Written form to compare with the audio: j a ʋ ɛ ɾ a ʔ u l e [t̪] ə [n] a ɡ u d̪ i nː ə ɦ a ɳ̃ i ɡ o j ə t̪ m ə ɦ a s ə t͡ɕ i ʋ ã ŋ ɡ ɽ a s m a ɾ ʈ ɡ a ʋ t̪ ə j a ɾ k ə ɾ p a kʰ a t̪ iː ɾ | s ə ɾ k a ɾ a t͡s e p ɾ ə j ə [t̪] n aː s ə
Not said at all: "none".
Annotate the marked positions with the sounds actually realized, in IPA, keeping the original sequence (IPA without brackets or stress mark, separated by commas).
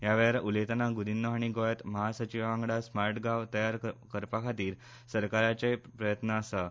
t̪, n, t̪